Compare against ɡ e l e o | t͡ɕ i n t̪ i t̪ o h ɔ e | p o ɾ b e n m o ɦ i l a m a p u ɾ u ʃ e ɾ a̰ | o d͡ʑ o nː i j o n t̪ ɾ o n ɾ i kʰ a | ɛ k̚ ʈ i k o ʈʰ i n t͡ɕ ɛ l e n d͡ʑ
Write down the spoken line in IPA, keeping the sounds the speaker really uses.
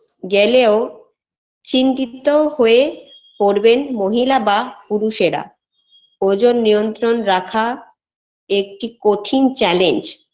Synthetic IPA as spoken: ɡ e l e o | t͡ɕ i n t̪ i t̪ o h o e | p o ɾ b e n m o ɦ i l a b a p u ɾ u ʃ e ɾ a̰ | o d͡ʑ o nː i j o n t̪ ɾ o n ɾ a kʰ a | e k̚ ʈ i k o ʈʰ i n t͡ɕ ɛ l e n d͡ʑ